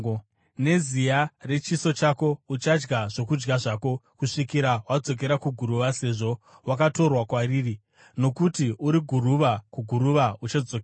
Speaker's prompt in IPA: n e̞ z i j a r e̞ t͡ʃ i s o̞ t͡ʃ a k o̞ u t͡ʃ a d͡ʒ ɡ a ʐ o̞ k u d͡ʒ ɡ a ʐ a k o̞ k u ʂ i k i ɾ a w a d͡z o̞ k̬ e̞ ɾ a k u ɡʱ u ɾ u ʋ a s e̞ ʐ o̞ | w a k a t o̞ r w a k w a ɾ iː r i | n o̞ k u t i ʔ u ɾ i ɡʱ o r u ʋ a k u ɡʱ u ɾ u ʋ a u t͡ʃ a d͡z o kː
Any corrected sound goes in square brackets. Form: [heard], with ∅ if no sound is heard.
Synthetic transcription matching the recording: n e̞ z i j a r e̞ t͡ʃ i s o̞ t͡ʃ a k o̞ u t͡ʃ a d͡ʒ ɡ a ʐ o̞ k u d͡ʒ ɡ a ʐ a k o̞ k u ʂ i k i ɾ a w a d͡z o̞ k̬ e̞ ɾ a k u ɡʱ u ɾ u ʋ a s e̞ ʐ o̞ | w a k a t o̞ r w a k w a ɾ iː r i | n o̞ k u t i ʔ u ɾ i ɡʱ [u] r u ʋ a k u ɡʱ u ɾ u ʋ a u t͡ʃ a d͡z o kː